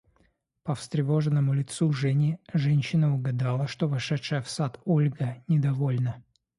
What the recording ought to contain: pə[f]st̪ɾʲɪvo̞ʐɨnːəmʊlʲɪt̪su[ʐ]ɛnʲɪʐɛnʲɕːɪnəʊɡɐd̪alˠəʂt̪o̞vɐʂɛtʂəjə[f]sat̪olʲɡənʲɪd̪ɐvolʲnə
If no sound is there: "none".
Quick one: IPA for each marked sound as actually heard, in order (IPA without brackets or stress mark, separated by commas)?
f, ʐ, f